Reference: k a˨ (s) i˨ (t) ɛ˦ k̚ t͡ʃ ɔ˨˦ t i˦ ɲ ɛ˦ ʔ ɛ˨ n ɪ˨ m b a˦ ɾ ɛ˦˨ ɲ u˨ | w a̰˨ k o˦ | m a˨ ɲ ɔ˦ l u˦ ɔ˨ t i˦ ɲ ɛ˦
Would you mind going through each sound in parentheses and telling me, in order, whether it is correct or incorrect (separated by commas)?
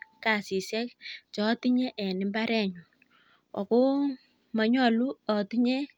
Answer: correct, incorrect